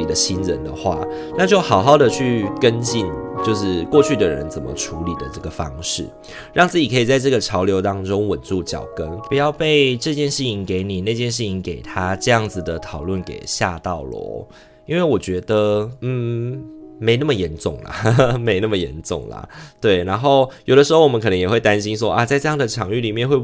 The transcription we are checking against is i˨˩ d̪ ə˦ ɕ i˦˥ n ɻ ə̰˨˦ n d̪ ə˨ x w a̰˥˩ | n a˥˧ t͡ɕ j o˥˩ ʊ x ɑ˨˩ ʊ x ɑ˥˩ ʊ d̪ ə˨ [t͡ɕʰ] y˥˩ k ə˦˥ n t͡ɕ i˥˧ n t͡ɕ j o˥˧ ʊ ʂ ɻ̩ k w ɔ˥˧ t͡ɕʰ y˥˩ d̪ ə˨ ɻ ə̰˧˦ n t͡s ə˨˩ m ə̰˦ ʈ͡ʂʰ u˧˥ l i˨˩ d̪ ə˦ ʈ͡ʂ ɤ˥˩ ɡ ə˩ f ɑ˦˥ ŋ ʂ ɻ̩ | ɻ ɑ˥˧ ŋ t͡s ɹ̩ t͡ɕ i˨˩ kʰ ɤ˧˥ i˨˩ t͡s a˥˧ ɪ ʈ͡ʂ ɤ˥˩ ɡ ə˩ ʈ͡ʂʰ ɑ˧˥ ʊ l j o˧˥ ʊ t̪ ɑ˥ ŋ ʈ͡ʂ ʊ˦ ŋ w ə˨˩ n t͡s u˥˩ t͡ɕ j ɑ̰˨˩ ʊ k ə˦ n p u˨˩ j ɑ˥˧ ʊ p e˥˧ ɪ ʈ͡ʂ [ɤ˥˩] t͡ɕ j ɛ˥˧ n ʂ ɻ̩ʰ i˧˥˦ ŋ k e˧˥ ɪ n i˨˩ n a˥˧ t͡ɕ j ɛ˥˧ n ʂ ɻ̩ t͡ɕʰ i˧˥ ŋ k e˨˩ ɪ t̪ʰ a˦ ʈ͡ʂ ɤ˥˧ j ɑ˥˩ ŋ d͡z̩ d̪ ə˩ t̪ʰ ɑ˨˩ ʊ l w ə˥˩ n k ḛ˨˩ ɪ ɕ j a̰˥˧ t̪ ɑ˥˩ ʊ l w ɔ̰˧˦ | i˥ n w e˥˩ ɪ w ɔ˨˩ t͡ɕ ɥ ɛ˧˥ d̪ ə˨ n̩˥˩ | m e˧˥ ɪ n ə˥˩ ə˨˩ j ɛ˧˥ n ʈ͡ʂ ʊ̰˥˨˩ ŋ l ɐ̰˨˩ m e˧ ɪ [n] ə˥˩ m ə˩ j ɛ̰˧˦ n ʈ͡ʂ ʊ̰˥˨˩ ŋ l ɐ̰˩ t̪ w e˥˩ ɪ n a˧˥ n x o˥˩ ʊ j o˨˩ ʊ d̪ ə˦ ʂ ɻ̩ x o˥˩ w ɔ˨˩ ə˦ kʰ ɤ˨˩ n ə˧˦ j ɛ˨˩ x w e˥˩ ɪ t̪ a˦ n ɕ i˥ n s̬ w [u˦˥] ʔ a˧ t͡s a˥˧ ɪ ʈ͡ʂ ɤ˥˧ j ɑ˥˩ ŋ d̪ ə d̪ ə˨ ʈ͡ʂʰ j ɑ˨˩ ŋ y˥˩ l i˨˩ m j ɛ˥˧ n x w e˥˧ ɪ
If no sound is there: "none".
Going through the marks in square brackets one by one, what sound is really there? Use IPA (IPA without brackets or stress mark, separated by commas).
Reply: t͡ɕʰ, ɤ˥˧, n, ɔ˦˥